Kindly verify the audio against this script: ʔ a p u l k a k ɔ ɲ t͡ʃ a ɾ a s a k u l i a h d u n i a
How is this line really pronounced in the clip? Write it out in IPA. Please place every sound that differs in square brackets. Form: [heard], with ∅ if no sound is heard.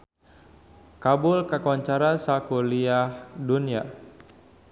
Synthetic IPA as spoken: [k] a [b] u l k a k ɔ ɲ t͡ʃ a ɾ a s a k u l i a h d u n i a